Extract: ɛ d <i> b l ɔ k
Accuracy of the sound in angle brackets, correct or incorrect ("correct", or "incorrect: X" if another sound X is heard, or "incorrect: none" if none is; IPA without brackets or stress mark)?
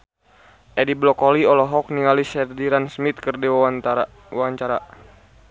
correct